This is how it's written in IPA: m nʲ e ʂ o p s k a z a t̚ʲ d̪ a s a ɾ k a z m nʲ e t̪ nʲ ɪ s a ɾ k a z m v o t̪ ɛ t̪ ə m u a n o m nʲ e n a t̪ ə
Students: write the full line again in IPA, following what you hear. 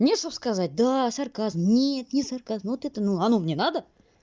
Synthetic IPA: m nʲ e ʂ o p s k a z a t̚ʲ d̪ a s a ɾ k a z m nʲ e t̪ nʲ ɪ s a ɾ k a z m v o t̪ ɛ t̪ ə n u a n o m nʲ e n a d̪ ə

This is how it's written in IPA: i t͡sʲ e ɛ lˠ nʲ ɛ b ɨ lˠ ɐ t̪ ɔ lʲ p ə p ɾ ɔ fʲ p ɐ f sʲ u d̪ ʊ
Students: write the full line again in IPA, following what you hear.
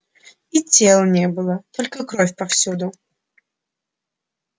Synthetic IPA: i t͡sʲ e ɛ lˠ nʲ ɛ b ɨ lˠ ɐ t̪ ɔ lʲ k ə k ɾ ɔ fʲ p ɐ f sʲ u d̪ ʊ

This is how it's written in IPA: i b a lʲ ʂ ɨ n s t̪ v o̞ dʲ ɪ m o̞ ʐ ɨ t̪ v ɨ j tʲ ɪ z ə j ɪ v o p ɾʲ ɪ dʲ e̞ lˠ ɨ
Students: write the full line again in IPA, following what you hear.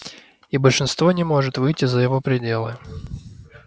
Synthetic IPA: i b ə lʲ ʂ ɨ n s t̪ v o̞ nʲ ɪ m o̞ ʐ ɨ t̪ v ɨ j tʲ ɪ z ə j ɪ v o p ɾʲ ɪ dʲ e̞ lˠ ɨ

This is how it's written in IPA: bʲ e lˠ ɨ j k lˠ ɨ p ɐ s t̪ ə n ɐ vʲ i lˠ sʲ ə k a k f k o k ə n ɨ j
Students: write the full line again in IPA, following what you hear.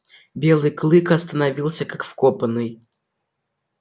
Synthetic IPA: bʲ e lˠ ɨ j k lˠ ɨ k ɐ s t̪ ə n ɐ vʲ i lˠ sʲ ə k a k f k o p ə n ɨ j

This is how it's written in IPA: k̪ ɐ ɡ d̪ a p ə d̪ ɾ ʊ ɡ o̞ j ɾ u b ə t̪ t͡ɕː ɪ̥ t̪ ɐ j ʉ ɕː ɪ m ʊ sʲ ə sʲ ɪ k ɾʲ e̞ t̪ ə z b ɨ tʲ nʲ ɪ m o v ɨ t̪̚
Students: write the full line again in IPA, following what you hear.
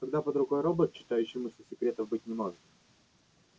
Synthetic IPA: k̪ ɐ ɡ d̪ a p ə d̪ ɾ ʊ ɡ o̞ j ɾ o b ə t̪ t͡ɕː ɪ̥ t̪ a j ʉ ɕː ɪ m ʊ sʲ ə sʲ ɪ k ɾʲ e̞ t̪ ə v b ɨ tʲ nʲ ɪ m o ʐ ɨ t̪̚

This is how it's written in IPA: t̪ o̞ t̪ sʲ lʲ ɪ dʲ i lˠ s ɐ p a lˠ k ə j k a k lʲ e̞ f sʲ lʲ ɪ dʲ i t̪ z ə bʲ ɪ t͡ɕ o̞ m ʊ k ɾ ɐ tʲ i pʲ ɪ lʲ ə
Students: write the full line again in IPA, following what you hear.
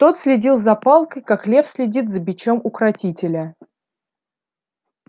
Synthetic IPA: t̪ o̞ t̪ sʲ lʲ ɪ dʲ i lˠ z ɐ p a lˠ k ə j k a k lʲ e̞ f sʲ lʲ ɪ dʲ i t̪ z ə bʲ ɪ t͡ɕ o̞ m ʊ k ɾ ɐ tʲ i tʲ ɪ lʲ ə

